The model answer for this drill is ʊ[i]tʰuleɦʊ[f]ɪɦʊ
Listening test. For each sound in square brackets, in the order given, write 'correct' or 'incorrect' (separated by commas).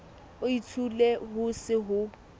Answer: correct, incorrect